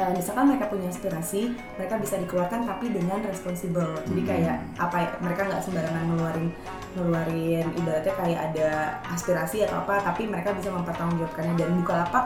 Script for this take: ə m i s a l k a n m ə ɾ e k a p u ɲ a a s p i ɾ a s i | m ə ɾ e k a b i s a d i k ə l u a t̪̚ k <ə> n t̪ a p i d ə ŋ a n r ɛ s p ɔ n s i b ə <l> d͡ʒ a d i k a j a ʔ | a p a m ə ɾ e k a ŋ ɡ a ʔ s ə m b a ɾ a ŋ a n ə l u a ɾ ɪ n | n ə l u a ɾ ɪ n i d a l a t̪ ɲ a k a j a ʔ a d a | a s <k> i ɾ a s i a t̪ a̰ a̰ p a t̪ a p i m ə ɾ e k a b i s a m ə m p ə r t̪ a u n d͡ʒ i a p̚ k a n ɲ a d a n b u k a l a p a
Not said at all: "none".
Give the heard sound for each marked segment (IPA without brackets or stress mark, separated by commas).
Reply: a, l, p